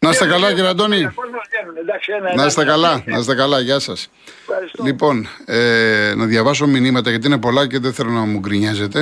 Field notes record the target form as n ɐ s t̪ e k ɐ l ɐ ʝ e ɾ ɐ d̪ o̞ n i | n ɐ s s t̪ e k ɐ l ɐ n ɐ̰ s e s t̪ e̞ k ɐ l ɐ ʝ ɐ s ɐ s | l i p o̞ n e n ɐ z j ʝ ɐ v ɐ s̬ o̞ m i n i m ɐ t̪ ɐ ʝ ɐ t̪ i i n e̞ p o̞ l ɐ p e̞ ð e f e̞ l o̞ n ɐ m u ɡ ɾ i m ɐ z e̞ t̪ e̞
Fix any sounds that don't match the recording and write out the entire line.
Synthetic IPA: n ɐ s t̪ e k ɐ l ɐ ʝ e ɾ ɐ d̪ o̞ n i | n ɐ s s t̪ e k ɐ l ɐ n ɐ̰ s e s t̪ e̞ k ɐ l ɐ ʝ ɐ s ɐ s | l i p o̞ n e n ɐ ð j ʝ ɐ v ɐ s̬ o̞ m i n i m ɐ t̪ ɐ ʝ ɐ t̪ i i n e̞ p o̞ l ɐ c e̞ ð e θ e̞ l o̞ n ɐ m u ɡ ɾ i ɲ ɐ z e̞ t̪ e̞